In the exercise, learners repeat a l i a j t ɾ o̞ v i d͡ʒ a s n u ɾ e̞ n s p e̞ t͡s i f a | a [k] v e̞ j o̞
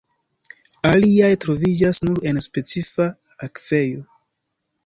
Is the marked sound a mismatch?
no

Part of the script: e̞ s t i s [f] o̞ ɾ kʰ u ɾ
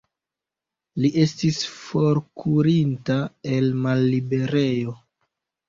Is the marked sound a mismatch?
no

